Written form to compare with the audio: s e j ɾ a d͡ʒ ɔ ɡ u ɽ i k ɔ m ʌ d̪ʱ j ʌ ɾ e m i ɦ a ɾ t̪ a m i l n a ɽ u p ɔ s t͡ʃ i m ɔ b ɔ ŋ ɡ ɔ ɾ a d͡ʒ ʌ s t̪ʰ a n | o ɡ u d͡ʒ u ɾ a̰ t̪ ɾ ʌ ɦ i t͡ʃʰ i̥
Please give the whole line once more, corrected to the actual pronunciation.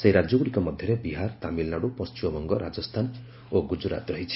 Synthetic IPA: s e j ɾ a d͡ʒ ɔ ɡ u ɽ i k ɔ m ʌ d̪ʱ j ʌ ɾ e b i ɦ a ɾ t̪ a m i l n a ɽ u p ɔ s t͡ʃ i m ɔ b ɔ ŋ ɡ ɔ ɾ a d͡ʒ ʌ s t̪ʰ a n | o ɡ u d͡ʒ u ɾ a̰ t̪ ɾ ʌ ɦ i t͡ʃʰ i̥